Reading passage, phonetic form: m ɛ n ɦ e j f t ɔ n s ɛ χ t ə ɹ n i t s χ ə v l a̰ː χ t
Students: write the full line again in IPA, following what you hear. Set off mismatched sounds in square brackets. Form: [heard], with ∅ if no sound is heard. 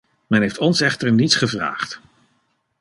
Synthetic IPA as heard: m ɛ n ɦ e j f t ɔ n s ɛ χ t ə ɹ n i t s χ ə v [r] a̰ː χ t

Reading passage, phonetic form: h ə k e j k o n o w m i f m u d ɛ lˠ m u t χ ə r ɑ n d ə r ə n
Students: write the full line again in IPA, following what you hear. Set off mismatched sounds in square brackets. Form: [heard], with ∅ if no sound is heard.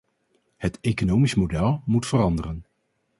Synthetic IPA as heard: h ə [t] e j k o n o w m i [s] m [o] d ɛ lˠ m u t [f] ə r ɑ n d ə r ə n

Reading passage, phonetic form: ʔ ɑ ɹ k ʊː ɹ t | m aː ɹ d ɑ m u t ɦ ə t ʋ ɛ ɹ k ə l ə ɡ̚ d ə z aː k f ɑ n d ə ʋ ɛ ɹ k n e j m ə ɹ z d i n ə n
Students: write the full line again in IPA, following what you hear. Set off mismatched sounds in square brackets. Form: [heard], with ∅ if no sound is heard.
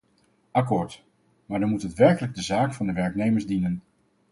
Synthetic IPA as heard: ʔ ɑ [∅] k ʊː ɹ t | m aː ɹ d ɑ m u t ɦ ə t ʋ ɛ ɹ k ə l ə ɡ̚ d ə z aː k f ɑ n d ə ʋ ɛ ɹ k n e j m ə ɹ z d i n ə n

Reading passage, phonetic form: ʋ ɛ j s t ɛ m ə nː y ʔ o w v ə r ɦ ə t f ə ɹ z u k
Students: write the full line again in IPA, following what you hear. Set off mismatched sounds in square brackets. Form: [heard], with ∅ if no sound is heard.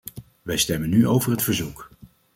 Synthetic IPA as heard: ʋ ɛ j s t ɛ m ə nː y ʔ o w v ə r ɦ ə t f ə ɹ z u k

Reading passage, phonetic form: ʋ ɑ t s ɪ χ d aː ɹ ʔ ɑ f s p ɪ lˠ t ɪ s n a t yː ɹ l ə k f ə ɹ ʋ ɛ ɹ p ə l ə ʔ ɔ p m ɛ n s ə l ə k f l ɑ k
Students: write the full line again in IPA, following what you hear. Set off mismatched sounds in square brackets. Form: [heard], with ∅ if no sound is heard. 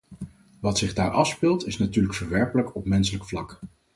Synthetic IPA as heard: ʋ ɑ t s ɪ χ d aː ɹ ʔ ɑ f s p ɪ lˠ t ɪ s n a t yː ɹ l ə k f ə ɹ ʋ ɛ ɹ p ə l ə [k] ɔ p m ɛ n s ə l ə k f l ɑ k

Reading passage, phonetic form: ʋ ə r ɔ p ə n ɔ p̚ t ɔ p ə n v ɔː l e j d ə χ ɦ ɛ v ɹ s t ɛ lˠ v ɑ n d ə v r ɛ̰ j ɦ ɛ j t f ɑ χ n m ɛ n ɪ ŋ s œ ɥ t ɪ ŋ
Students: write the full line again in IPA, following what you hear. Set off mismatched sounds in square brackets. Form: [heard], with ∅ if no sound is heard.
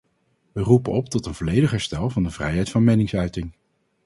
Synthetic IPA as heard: ʋ ə r [u] p ə n ɔ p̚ t ɔ [t] ə n v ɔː l e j d ə χ ɦ ɛ [∅] ɹ s t ɛ lˠ v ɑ n d ə v r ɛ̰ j ɦ ɛ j t f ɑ [∅] n m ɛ n ɪ ŋ s œ ɥ t ɪ ŋ

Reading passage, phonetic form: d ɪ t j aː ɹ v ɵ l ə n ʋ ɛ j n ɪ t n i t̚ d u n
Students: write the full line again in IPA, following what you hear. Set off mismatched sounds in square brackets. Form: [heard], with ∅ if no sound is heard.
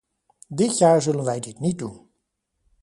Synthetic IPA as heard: d ɪ t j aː ɹ [z] ɵ l ə n ʋ ɛ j [d] ɪ t n i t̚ d u n

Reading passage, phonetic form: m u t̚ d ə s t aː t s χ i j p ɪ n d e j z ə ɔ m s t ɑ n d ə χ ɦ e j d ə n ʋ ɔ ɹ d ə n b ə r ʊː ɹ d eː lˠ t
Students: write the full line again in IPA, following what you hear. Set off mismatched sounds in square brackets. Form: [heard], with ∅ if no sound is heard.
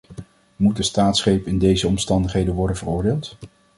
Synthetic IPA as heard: m u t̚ d ə s t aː t s χ [e] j p ɪ n d e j z ə ɔ m s t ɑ n d ə χ ɦ e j d ə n ʋ ɔ ɹ d ə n [v] ə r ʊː ɹ d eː lˠ t

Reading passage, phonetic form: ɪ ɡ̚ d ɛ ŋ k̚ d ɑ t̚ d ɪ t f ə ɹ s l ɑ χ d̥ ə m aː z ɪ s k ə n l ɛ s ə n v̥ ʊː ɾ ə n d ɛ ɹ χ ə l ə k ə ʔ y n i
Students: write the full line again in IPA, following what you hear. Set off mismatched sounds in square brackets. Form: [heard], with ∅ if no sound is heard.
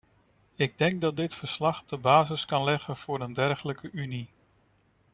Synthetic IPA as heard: ɪ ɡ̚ d ɛ ŋ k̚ d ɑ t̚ d ɪ t f ə ɹ s l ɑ χ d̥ ə [b] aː z ɪ s k [ɑ] n l ɛ [χ] ə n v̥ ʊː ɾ ə n d ɛ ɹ χ ə l ə k ə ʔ y n i

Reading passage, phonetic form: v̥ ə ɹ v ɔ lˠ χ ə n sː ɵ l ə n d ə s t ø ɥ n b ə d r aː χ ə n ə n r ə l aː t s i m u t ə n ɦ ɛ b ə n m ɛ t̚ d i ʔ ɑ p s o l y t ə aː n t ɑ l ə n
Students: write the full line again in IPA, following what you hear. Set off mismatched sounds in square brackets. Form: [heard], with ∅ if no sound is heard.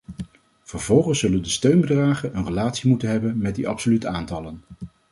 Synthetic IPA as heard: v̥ ə ɹ v ɔ lˠ χ ə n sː ɵ l ə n d ə s t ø ɥ n b ə d r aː χ ə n ə n r ə l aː t s i m u t ə n ɦ ɛ b ə n m ɛ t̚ d i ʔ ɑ p s o l y t ə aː n t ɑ l ə n

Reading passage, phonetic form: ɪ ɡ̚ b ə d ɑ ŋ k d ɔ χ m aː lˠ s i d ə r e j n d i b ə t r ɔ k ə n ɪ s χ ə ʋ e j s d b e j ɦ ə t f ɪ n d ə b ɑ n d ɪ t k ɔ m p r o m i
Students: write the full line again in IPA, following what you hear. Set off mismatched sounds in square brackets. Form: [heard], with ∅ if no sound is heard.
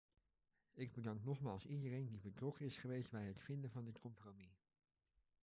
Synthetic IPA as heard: ɪ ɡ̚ b ə d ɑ ŋ k [n] ɔ χ m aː lˠ s i d ə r e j n d i b ə t r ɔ k ə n ɪ s χ ə ʋ e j s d b [ɛ] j ɦ ə t f ɪ n d ə [v] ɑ n d ɪ t k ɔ m p r o m i

